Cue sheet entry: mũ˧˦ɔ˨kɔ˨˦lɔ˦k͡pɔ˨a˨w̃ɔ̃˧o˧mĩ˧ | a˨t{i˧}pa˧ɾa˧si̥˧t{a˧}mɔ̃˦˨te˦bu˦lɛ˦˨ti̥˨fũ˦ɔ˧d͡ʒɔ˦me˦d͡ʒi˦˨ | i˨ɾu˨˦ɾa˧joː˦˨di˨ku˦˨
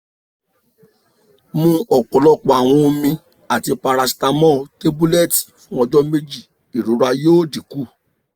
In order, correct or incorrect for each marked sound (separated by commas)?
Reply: correct, correct